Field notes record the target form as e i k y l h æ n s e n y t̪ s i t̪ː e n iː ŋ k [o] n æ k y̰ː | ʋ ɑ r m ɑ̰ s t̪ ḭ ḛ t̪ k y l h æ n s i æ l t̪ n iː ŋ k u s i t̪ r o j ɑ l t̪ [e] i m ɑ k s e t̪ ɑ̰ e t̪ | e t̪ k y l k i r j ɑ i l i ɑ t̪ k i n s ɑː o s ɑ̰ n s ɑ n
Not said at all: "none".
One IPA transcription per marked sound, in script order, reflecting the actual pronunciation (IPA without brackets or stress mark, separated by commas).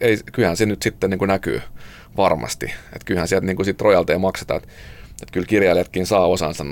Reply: u, e